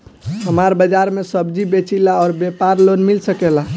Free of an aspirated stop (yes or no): yes